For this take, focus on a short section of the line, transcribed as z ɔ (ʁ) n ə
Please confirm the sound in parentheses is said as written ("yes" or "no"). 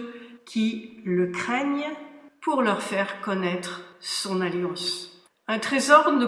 yes